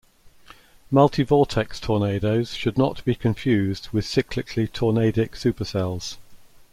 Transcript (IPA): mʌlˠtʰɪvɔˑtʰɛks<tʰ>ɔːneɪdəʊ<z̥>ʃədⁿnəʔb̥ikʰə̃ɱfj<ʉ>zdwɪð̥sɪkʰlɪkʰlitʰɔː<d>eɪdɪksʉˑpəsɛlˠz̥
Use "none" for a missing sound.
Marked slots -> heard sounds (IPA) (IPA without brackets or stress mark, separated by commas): tʰ, z̥, ʉː, n